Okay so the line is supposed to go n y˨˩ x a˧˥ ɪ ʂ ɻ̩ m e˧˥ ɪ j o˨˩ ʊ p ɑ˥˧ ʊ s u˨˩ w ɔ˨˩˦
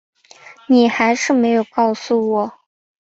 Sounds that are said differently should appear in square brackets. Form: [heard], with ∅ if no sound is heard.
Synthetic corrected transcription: n [i˨˩] x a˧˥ ɪ ʂ ɻ̩ m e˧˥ ɪ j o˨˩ ʊ [k] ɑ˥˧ ʊ s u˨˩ w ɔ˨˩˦